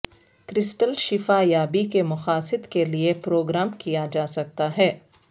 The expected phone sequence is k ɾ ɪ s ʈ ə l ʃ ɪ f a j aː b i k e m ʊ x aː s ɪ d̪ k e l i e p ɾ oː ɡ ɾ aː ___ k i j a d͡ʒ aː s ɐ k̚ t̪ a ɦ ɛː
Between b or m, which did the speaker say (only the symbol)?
m